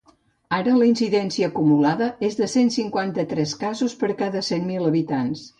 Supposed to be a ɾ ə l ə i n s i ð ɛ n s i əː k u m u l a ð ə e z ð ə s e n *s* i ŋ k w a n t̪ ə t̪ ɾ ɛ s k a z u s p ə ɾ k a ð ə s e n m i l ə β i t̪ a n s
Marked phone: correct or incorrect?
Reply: correct